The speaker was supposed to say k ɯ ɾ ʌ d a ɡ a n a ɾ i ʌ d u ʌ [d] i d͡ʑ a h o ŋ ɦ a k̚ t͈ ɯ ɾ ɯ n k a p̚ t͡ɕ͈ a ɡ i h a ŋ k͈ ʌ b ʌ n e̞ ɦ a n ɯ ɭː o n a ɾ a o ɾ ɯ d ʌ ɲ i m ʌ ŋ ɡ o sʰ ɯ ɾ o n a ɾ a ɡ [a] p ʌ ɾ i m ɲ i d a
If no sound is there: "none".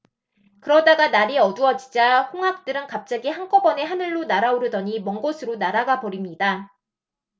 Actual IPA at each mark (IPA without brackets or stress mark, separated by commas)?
d͡ʑ, a